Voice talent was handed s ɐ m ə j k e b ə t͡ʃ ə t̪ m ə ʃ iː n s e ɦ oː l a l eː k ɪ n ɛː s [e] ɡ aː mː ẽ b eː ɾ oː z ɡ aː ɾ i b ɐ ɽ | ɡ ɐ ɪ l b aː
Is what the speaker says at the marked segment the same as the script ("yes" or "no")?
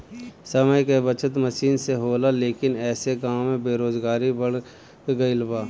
yes